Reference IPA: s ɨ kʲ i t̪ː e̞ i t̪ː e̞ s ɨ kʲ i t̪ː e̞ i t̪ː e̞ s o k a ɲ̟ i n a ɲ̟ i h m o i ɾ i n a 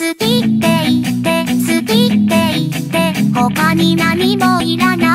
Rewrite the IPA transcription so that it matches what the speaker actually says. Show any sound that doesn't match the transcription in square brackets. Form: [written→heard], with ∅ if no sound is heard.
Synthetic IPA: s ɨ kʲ i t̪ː e̞ i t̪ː e̞ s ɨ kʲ i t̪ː e̞ i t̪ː e̞ [s→h] o k a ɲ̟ i n a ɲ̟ i [h→∅] m o i ɾ [i→a] n a